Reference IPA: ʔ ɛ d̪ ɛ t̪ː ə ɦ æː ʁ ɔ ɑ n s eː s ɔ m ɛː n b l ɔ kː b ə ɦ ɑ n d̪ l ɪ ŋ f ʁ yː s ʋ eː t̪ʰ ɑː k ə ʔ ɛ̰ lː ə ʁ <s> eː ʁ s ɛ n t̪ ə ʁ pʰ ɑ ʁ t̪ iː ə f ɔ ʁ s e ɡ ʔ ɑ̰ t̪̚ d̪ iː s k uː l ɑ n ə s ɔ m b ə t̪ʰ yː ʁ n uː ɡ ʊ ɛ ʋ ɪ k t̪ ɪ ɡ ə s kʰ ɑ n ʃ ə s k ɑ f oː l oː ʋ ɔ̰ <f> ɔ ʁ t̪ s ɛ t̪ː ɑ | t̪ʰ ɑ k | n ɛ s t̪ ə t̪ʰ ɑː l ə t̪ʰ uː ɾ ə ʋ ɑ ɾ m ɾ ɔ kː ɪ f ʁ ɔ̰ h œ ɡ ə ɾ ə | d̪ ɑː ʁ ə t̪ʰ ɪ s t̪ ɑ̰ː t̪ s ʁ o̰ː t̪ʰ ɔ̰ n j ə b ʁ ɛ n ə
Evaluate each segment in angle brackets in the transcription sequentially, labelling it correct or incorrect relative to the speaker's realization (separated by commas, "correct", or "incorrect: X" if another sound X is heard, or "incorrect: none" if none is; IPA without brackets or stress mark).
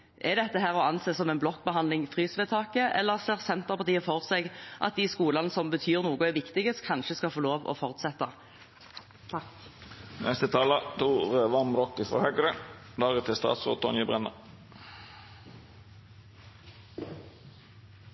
correct, correct